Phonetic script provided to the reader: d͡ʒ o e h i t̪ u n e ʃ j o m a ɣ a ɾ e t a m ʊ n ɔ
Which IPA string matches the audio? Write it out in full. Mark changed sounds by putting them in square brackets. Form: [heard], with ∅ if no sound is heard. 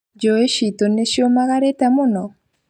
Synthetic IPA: d͡ʒ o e [ʃ] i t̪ [o] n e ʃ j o m a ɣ a ɾ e t a m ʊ n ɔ